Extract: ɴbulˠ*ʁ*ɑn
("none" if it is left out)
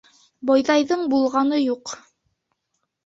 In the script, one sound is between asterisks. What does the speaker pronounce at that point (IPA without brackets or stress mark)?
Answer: ʁ